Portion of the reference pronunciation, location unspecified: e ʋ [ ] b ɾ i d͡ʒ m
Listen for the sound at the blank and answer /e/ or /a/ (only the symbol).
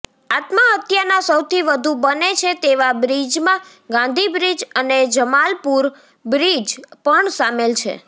a